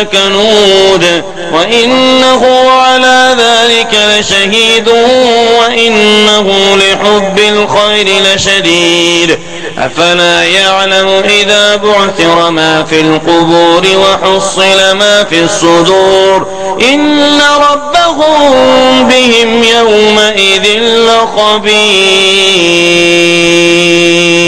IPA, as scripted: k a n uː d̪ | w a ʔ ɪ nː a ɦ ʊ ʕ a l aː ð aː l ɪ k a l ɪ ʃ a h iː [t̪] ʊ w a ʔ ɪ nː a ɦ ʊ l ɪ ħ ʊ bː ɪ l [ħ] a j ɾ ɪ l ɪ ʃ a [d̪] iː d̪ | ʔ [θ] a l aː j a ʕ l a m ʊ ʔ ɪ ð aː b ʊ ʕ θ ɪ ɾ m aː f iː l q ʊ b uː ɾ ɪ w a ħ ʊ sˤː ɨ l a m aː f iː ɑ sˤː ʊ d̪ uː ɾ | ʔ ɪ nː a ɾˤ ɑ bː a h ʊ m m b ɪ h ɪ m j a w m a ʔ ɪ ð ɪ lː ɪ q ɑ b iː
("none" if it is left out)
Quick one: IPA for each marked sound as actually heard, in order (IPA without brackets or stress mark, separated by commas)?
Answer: d̪, x, d̪, f